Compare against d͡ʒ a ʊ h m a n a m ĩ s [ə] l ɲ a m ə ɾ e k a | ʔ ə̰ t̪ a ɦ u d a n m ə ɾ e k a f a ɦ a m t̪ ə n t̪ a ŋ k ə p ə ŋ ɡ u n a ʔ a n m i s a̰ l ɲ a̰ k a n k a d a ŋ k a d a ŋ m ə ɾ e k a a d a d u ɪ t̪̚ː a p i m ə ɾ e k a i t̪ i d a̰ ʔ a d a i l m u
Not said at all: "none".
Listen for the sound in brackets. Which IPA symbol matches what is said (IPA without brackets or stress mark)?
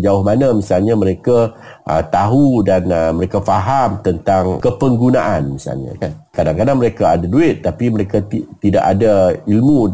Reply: a